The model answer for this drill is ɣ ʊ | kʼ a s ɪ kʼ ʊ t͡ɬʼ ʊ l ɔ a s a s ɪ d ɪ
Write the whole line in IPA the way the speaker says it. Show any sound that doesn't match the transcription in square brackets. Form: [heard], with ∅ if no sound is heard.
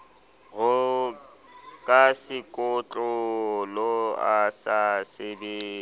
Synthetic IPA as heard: ɣ ʊ | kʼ a s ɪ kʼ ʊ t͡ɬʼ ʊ l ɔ a s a s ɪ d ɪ

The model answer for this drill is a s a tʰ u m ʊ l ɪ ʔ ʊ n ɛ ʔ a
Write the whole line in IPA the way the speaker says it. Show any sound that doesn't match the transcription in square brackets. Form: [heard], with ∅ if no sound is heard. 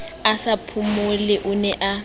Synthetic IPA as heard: a s a [pʰ] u m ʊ l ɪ ʔ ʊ n ɛ ʔ a

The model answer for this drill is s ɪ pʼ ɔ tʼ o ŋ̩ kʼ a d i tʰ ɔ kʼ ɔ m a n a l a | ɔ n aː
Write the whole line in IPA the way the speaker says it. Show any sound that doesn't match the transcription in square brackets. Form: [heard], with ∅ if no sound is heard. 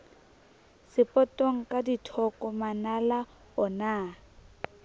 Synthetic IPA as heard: s ɪ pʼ ɔ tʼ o ŋ̩ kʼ a d i tʰ ɔ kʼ ɔ m a n a l a | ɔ n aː

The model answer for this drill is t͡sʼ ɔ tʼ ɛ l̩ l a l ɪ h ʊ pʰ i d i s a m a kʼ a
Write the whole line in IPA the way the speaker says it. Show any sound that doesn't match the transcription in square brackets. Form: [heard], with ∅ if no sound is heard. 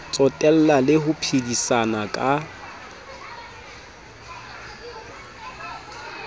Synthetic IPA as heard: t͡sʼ ɔ tʼ ɛ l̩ l a l ɪ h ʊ pʰ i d i s a [n] a kʼ a

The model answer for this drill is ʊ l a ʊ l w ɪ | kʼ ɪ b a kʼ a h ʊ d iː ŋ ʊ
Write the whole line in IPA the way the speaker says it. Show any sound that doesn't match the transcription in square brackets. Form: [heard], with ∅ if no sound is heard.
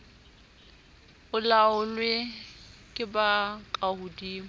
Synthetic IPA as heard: ʊ l a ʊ l w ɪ | kʼ ɪ b a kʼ a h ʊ d iː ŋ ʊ

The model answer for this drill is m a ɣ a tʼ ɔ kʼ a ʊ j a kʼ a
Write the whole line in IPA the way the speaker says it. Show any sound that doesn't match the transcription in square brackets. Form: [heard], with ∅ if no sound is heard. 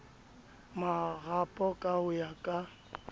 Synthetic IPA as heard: m a ɣ a [pʼ] ɔ kʼ a ʊ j a kʼ a

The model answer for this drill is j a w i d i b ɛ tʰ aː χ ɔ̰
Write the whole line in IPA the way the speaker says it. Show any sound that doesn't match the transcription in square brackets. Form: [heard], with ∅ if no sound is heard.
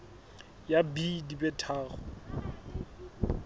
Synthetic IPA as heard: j a [b] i d i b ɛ tʰ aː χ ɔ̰

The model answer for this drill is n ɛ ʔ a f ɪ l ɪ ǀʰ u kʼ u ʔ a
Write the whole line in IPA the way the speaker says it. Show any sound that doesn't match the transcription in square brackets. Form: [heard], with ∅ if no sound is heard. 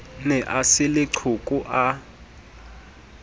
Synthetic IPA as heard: n ɛ ʔ a [s] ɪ l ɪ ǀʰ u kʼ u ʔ a

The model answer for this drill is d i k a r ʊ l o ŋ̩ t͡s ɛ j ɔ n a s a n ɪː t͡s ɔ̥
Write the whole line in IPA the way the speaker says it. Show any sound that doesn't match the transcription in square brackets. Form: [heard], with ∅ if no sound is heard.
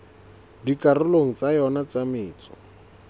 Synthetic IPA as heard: d i k a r ʊ l o ŋ̩ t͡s [a] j ɔ n a [t͡s] a [m] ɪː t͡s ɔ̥

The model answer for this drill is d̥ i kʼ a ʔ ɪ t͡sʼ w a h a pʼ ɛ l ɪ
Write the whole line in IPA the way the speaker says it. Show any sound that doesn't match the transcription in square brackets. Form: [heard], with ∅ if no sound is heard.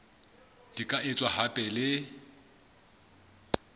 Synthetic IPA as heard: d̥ i kʼ a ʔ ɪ t͡sʼ w a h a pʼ ɛ l ɪ

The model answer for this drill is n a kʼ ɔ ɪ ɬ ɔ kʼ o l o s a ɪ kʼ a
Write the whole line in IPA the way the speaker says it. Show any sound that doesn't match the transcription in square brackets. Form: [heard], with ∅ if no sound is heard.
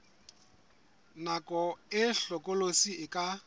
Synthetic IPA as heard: n a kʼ ɔ ɪ ɬ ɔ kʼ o l o s [i] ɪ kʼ a

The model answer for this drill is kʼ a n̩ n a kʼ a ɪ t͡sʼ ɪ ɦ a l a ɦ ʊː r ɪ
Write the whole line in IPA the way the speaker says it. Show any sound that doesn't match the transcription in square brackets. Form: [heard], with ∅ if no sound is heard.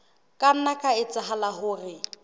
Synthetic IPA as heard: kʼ a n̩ n a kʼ a ɪ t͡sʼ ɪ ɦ a l a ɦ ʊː r ɪ

